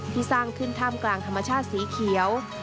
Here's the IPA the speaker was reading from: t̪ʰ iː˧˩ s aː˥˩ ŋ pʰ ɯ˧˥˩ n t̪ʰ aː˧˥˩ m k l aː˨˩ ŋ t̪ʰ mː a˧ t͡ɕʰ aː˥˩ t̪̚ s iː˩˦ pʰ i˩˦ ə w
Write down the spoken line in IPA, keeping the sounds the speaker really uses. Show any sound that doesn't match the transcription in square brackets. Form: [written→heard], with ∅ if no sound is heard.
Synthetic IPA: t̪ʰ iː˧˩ s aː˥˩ ŋ [pʰ→kʰ] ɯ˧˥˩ n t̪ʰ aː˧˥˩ m k l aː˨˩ ŋ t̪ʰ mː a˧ t͡ɕʰ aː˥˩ t̪̚ s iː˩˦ [pʰ→kʰ] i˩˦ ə w